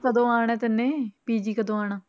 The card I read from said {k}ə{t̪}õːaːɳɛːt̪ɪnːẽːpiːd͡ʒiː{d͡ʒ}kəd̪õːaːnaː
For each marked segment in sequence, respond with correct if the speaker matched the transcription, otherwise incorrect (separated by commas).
correct, incorrect, incorrect